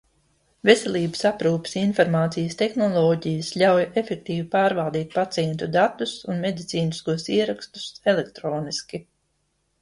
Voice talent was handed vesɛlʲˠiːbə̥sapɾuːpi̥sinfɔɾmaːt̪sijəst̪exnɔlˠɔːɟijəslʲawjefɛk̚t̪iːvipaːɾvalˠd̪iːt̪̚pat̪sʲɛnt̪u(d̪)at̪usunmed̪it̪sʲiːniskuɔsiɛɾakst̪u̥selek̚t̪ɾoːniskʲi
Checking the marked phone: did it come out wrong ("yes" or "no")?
no